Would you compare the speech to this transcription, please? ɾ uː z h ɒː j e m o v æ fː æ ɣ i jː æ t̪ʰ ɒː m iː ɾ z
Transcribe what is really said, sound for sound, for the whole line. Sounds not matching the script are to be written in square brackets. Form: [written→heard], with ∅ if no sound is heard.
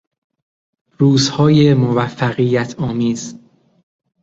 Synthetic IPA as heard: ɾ uː z h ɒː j e m o v æ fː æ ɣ i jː æ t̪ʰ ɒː m iː [ɾ→∅] z